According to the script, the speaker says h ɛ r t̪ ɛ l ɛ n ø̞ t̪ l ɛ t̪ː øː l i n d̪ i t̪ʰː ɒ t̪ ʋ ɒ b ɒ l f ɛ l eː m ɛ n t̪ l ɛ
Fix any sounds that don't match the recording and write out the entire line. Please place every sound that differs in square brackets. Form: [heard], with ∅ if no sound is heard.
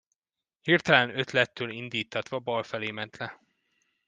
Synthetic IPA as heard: h [i] r t̪ ɛ l ɛ n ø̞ t̪ l ɛ t̪ː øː l i n d̪ [iː] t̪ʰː ɒ t̪ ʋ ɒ b ɒ l f ɛ l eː m ɛ n t̪ l ɛ